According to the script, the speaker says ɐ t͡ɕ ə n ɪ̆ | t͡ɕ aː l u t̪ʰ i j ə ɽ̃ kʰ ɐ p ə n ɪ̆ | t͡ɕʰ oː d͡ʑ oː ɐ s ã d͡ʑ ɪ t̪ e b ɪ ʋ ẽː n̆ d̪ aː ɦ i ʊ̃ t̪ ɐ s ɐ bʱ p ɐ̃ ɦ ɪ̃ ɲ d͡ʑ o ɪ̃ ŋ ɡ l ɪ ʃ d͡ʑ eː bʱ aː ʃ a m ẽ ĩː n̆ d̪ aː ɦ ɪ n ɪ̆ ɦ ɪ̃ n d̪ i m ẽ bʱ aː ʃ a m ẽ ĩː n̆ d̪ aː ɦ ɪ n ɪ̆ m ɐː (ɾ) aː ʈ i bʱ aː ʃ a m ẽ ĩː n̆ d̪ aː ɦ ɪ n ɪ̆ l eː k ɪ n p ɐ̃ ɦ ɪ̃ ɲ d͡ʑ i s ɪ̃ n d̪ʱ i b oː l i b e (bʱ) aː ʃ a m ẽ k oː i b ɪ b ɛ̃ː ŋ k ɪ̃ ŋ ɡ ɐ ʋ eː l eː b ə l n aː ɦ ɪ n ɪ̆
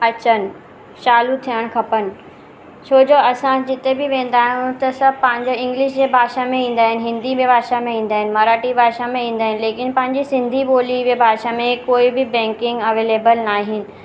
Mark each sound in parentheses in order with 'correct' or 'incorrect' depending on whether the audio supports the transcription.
correct, correct

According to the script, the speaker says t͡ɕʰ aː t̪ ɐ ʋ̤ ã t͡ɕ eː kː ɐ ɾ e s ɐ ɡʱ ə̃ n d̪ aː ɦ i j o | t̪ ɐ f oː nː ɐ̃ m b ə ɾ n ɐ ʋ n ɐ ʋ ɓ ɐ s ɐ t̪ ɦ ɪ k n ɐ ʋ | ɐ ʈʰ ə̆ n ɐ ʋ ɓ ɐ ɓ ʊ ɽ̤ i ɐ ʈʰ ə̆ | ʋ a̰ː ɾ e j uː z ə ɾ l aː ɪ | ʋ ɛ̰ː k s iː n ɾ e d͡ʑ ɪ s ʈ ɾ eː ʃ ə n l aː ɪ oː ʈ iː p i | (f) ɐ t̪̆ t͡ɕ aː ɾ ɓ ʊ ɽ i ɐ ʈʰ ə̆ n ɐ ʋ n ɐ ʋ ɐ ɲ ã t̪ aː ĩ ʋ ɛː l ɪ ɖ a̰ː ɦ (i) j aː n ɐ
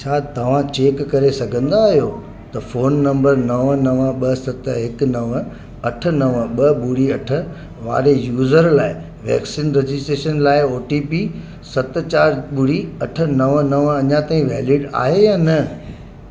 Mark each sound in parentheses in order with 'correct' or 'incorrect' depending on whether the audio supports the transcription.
incorrect: s, incorrect: e

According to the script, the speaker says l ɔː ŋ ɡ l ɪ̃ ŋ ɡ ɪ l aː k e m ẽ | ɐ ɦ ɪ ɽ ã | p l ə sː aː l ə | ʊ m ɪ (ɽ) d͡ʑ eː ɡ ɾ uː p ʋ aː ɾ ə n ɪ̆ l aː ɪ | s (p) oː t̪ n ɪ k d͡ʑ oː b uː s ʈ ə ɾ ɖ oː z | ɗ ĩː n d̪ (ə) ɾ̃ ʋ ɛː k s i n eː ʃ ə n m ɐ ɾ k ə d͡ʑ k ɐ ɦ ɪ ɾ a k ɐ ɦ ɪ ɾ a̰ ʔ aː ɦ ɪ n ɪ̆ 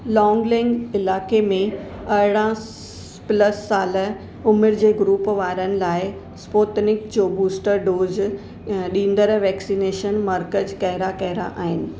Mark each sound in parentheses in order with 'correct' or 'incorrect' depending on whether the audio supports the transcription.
incorrect: ɾ, correct, correct

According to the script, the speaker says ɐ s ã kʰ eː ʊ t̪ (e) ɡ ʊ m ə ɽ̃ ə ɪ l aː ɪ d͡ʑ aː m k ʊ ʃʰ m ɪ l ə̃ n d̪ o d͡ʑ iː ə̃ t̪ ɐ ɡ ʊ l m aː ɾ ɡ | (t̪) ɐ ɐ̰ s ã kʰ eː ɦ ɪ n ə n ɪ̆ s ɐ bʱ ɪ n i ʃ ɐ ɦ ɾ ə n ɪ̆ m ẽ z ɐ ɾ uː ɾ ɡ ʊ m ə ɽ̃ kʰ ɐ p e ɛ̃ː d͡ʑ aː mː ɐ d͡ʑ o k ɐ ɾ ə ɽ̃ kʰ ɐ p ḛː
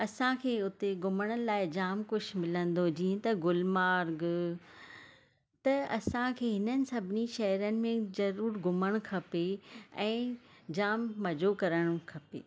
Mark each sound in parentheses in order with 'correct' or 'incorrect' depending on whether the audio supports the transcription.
correct, correct

